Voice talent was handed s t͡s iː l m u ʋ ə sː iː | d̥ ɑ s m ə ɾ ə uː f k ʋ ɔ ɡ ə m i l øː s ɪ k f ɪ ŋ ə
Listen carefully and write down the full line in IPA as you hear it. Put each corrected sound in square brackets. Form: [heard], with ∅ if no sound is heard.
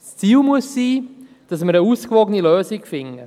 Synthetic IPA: s t͡s iː l m u [∅] ə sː iː | d̥ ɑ s m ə ɾ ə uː [s] k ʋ ɔ ɡ ə [n] i l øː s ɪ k f ɪ ŋ ə